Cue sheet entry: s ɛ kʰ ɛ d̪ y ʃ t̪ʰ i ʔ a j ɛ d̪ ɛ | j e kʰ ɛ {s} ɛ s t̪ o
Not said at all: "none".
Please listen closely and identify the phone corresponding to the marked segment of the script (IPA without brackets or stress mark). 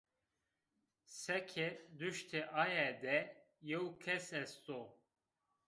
s